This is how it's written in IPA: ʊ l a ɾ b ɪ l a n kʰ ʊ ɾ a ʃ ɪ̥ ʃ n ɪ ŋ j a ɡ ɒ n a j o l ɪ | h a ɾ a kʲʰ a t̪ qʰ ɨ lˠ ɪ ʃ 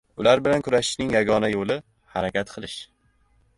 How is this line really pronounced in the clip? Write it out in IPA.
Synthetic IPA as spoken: ʊ l a ɾ b ɪ l a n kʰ ʊ ɾ a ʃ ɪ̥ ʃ n ɪ ŋ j a ɡ ɒ n a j o l ɪ | h a ɾ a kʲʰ a t̪ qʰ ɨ lˠ ɪ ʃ